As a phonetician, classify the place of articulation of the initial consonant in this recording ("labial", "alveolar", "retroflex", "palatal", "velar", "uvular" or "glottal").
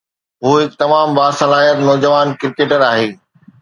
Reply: glottal